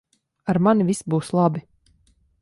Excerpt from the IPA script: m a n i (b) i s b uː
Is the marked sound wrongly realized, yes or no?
yes